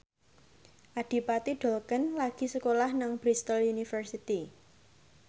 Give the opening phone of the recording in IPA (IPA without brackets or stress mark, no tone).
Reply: ʔ